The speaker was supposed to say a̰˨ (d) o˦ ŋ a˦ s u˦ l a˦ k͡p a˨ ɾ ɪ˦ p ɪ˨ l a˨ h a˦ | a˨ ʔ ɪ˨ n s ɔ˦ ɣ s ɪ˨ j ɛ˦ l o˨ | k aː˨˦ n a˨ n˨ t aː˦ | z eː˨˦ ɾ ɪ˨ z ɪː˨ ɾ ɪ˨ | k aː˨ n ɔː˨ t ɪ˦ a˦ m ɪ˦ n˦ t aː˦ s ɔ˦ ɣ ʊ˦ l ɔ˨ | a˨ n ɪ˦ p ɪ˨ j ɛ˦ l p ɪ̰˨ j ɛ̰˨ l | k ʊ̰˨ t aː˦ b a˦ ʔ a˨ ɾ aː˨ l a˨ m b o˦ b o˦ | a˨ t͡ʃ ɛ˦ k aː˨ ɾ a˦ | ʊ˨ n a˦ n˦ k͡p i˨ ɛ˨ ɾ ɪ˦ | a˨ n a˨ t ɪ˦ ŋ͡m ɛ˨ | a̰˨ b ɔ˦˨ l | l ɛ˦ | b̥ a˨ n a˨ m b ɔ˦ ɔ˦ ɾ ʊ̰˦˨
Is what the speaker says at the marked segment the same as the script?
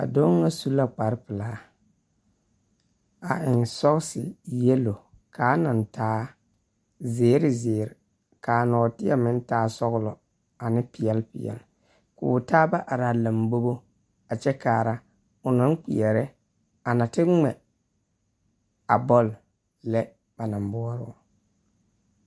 yes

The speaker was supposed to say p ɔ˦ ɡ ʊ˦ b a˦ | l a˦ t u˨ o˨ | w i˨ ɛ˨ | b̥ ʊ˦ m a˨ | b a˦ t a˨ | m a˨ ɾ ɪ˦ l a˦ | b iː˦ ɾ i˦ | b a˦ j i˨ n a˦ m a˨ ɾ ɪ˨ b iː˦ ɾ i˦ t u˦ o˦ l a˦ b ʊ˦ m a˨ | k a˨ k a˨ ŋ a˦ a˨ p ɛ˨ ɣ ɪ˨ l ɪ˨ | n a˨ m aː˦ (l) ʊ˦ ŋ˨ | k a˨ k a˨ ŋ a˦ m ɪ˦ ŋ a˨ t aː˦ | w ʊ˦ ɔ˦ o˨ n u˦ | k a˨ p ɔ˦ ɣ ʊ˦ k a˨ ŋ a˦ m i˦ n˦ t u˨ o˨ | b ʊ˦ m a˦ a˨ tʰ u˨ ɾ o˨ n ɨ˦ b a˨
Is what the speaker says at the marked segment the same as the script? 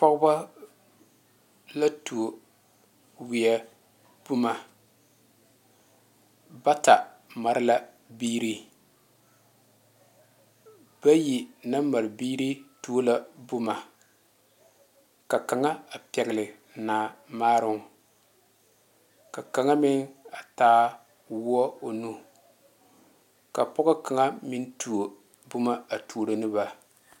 no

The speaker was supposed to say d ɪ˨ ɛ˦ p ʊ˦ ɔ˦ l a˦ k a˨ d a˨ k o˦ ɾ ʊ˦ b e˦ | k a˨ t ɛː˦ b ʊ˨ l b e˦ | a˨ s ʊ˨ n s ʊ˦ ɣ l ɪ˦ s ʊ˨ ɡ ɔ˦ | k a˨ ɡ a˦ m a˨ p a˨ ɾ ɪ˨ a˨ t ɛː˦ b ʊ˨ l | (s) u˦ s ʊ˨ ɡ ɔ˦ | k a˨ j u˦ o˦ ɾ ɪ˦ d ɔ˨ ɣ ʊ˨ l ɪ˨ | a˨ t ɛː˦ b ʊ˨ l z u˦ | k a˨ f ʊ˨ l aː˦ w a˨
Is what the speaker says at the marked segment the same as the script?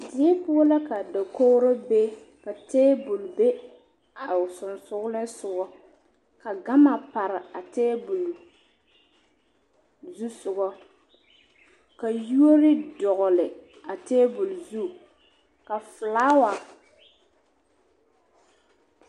no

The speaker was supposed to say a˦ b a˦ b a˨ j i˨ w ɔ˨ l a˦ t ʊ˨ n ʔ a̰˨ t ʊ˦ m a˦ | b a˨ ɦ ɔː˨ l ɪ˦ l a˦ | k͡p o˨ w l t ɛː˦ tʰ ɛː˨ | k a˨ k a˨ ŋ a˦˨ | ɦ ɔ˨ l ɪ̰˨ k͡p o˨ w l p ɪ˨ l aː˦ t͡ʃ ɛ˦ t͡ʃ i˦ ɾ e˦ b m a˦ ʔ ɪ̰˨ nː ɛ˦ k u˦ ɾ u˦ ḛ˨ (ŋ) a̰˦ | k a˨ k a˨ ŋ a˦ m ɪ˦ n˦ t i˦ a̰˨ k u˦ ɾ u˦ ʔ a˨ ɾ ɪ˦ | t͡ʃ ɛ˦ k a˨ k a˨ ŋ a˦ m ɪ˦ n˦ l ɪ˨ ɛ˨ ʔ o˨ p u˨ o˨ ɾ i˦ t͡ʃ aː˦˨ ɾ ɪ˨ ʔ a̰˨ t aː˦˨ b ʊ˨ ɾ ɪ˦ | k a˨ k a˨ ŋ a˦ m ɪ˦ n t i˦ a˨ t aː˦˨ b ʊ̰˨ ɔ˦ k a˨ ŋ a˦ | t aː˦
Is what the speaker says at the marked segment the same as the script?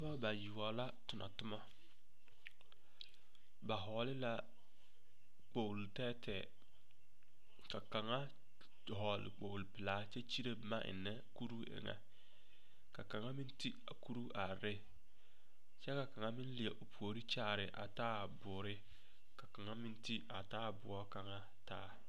yes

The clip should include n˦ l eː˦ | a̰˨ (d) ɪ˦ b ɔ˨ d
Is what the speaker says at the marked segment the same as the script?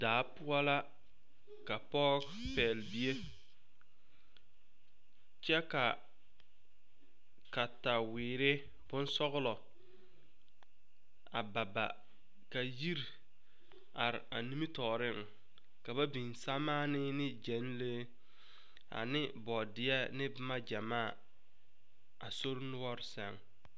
no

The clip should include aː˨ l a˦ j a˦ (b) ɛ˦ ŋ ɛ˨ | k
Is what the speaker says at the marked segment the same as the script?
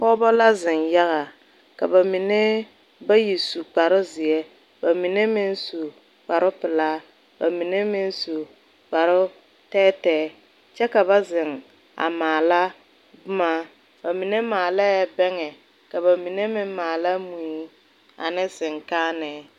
yes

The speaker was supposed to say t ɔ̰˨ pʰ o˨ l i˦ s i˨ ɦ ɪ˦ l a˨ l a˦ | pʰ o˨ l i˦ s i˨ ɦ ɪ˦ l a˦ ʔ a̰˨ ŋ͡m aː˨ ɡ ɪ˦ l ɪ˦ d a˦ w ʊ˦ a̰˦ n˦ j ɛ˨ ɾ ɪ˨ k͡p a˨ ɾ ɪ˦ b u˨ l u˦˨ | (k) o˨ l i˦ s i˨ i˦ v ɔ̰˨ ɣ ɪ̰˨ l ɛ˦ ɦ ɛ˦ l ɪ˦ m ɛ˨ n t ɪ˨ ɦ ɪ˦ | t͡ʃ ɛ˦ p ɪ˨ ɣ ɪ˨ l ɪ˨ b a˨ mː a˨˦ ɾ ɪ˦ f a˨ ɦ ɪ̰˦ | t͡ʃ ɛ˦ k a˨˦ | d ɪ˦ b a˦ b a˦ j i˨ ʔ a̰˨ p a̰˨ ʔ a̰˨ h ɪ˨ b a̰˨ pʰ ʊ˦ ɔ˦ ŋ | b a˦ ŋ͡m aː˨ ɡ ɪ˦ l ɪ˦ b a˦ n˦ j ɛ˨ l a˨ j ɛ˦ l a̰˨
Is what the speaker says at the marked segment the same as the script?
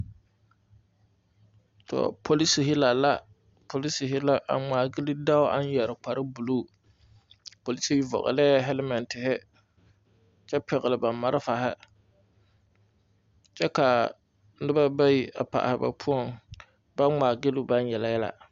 no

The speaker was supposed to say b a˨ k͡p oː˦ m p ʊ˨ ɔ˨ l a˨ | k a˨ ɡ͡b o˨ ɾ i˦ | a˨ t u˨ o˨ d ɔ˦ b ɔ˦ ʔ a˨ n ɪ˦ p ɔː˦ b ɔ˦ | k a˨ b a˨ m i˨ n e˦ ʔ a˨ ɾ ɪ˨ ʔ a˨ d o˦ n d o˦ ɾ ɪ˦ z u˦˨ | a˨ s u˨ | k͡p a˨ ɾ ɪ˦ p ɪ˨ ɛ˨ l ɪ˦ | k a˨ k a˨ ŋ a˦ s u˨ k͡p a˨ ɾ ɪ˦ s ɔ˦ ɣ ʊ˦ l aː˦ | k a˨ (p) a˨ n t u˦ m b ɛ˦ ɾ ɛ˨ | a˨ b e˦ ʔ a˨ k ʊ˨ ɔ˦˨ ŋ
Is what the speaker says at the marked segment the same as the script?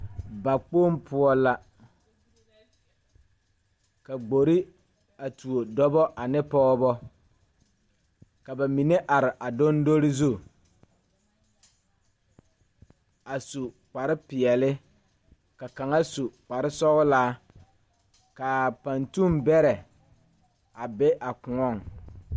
yes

